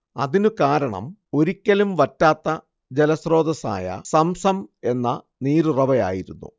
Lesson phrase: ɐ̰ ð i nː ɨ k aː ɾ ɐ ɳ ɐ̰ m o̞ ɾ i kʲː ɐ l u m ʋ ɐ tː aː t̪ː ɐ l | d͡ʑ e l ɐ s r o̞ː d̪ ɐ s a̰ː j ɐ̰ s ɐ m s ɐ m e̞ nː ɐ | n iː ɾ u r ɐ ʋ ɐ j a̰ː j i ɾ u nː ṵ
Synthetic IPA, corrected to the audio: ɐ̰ ð i n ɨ k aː ɾ ɐ ɳ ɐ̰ m o̞ ɾ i kʲː ɐ l u m ʋ ɐ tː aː t̪ː ɐ | d͡ʑ e l ɐ s r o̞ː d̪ ɐ s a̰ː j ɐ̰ s ɐ m s ɐ m e̞ nː ɐ | n iː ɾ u r ɐ ʋ ɐ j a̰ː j i ɾ u nː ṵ